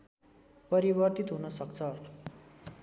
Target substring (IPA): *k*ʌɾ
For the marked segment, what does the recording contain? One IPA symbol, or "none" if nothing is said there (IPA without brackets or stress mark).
p